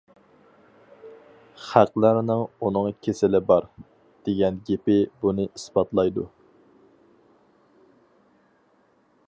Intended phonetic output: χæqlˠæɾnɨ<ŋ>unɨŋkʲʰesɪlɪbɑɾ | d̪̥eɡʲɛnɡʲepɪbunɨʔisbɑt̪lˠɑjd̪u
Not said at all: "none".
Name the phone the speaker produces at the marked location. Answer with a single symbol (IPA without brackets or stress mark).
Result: ŋ